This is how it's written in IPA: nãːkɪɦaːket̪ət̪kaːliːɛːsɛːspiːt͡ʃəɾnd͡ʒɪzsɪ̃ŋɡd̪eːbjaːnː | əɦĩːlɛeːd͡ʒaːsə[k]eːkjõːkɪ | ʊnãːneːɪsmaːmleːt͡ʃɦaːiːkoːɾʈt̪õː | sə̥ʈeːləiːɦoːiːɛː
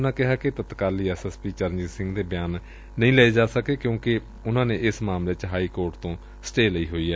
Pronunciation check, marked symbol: correct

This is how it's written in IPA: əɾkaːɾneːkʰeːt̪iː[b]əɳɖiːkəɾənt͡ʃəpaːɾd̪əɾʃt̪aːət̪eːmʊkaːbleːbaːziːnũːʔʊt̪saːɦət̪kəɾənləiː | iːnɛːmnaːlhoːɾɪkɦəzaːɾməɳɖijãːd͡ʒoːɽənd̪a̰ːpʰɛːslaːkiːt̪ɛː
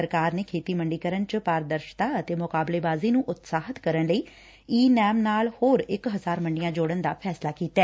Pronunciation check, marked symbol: incorrect: m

